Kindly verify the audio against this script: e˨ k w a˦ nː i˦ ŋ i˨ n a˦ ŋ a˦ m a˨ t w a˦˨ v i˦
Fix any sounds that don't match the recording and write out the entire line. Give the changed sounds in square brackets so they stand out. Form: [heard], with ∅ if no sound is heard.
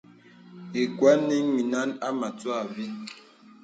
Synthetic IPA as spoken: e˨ k w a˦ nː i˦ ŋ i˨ n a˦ [n] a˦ m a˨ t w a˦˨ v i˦